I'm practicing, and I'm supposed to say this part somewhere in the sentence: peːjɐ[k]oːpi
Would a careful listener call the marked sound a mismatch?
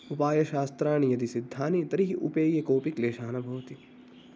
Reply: no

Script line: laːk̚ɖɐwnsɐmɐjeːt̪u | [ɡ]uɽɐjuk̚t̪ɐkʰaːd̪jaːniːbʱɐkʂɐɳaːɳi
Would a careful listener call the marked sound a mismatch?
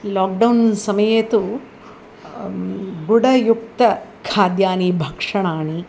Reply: no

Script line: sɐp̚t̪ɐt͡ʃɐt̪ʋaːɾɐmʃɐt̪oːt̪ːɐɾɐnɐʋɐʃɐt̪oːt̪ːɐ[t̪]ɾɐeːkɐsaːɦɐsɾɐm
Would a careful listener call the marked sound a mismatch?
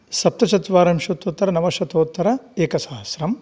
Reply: yes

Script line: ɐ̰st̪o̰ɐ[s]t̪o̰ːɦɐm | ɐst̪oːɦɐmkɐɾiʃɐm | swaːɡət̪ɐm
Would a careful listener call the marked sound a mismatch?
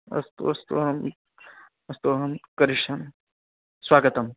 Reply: no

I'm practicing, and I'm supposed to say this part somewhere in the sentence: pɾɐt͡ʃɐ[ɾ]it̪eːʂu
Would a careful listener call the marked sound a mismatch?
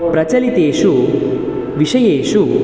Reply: yes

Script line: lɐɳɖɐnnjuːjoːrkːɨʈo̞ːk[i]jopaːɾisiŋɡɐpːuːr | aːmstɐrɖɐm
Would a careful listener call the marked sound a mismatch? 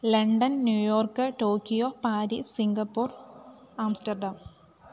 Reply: no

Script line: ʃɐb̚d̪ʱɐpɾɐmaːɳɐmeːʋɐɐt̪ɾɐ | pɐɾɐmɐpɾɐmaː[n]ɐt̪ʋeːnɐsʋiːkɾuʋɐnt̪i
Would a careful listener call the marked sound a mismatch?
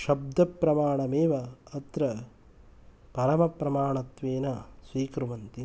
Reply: yes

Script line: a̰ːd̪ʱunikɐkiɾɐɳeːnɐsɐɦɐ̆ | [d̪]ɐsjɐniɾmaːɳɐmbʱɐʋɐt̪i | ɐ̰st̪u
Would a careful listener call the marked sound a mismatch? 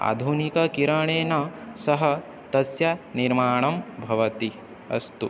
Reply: yes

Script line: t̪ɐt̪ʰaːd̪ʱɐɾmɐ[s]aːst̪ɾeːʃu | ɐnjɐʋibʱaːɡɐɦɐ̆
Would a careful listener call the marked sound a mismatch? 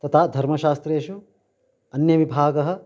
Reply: yes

